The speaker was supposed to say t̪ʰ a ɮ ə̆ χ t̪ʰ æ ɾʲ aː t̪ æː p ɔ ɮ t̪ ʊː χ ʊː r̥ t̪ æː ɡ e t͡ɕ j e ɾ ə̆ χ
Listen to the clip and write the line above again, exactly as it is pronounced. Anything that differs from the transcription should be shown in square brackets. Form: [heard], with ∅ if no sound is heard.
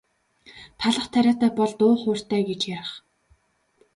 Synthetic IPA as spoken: t̪ʰ a ɮ ə̆ χ t̪ʰ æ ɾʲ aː t̪ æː p ɔ ɮ t̪ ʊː χ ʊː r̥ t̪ æː ɡ e t͡ɕ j [a] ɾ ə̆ χ